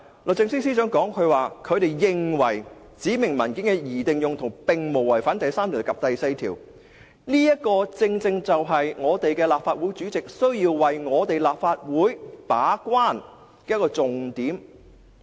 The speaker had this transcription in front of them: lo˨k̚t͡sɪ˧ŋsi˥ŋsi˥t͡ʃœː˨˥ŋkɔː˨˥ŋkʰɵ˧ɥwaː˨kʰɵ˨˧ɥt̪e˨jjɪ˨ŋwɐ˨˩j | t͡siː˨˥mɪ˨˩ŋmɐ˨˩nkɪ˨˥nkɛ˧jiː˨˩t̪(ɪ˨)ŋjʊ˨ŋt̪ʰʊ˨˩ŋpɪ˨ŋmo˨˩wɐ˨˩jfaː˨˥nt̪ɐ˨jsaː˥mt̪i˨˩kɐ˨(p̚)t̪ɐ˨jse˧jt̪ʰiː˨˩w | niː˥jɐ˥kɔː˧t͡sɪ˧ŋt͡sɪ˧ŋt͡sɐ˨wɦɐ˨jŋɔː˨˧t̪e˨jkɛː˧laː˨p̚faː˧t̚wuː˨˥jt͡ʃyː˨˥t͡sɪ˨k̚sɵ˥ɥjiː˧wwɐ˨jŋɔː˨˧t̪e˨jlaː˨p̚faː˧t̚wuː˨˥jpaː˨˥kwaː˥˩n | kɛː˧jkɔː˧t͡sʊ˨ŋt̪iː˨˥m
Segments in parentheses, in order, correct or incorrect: correct, correct

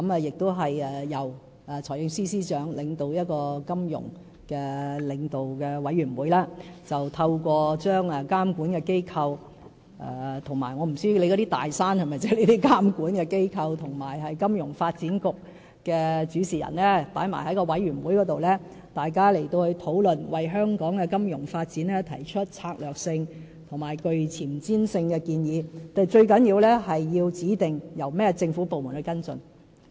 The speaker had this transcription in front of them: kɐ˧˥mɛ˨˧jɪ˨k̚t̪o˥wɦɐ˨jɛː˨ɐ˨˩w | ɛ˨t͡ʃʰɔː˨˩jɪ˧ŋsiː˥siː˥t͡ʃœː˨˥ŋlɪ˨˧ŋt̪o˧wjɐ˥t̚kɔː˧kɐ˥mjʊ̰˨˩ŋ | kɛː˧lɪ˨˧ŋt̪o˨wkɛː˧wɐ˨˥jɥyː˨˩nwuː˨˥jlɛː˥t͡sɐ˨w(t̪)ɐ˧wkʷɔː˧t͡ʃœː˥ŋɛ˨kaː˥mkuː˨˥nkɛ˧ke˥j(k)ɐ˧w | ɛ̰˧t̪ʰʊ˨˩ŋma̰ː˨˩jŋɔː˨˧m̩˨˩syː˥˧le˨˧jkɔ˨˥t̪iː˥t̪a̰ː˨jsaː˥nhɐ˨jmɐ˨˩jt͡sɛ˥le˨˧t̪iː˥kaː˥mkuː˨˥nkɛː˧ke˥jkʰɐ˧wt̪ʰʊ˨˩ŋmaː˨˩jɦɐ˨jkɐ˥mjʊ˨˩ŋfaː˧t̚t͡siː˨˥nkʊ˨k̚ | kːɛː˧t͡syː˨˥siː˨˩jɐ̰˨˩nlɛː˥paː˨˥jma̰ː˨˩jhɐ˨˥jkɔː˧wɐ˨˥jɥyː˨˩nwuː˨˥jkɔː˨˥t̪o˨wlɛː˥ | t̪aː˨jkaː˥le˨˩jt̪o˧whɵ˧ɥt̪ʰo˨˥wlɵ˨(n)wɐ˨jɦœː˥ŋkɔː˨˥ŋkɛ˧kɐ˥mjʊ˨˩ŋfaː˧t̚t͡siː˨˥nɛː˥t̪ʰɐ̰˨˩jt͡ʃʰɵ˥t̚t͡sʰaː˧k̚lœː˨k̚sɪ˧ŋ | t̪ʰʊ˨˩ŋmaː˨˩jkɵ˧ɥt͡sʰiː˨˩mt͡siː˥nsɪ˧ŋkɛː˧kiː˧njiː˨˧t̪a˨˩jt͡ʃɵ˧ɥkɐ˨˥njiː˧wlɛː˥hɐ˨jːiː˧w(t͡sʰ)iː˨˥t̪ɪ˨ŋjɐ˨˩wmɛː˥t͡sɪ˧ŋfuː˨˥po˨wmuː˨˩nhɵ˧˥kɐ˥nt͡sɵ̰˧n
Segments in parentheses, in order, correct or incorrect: incorrect: t̪ʰ, incorrect: kʰ, correct, incorrect: t͡s

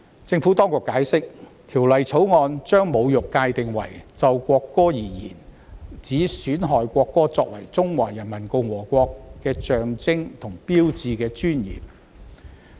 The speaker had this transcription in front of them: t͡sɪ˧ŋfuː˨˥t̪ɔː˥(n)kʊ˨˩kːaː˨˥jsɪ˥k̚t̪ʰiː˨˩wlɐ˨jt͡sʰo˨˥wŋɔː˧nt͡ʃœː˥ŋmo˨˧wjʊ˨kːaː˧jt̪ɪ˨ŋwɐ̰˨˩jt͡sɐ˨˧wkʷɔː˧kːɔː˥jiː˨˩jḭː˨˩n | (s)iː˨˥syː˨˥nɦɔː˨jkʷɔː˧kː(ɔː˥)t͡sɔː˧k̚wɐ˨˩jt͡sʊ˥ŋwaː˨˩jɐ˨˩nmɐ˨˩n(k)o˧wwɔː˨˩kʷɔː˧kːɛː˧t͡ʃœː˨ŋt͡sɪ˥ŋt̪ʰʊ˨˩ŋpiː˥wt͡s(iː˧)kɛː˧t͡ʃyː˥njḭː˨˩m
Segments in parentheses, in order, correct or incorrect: incorrect: ŋ, incorrect: t͡s, correct, correct, correct

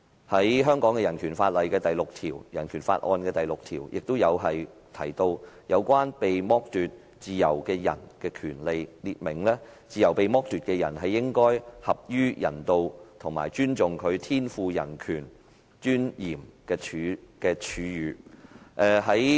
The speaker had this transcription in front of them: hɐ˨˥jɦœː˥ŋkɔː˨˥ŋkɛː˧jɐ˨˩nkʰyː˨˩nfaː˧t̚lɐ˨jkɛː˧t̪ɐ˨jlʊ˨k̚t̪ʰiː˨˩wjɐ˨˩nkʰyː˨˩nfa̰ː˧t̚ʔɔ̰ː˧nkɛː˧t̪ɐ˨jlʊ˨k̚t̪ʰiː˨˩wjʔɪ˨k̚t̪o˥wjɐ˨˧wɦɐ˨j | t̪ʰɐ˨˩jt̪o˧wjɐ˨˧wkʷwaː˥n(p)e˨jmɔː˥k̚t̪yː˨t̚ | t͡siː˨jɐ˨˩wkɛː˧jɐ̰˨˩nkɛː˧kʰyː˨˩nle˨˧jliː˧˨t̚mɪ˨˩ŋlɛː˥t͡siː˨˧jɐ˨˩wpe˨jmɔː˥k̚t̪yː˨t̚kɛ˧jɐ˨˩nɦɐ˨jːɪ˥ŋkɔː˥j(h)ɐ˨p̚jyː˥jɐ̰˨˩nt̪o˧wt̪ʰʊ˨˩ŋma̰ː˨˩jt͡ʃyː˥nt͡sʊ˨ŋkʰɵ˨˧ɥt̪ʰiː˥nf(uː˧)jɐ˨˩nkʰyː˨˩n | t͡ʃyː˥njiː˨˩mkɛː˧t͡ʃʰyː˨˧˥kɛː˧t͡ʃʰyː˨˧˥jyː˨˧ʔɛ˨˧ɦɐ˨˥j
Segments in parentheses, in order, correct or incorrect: correct, correct, correct

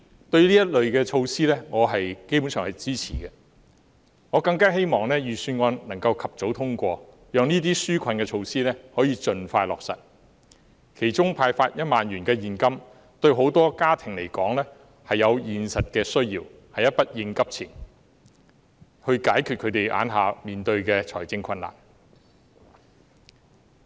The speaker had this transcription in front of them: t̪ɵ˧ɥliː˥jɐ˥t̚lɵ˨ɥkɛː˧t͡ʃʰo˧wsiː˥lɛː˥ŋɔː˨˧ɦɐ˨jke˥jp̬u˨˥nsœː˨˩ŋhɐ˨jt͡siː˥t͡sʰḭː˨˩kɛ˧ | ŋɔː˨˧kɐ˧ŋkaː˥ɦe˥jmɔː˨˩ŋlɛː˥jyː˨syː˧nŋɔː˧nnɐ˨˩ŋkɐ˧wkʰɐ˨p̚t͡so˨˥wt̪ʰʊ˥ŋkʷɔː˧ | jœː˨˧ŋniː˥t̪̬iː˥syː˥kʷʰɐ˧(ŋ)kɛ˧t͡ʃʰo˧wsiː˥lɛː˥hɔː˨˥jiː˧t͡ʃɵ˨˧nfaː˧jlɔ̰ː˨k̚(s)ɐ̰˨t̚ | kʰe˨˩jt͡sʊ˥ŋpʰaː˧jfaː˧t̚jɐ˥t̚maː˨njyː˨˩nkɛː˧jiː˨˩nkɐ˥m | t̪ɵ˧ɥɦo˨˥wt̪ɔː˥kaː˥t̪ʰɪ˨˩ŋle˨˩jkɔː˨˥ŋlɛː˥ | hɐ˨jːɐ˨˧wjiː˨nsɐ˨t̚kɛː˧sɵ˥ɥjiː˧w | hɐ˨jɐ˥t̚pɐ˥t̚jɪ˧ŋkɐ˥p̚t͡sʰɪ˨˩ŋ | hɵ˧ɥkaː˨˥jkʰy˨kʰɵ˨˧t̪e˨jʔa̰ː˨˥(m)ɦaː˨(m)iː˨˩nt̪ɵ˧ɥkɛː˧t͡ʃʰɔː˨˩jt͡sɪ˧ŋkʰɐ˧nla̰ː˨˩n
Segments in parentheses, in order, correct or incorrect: incorrect: n, correct, incorrect: n, correct

